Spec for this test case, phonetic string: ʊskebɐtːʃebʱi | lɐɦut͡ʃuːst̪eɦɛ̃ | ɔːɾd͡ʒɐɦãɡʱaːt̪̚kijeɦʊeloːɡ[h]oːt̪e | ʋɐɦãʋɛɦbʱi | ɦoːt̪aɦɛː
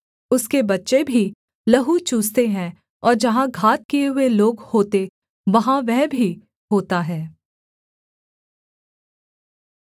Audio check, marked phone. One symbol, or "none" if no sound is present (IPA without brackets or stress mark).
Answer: h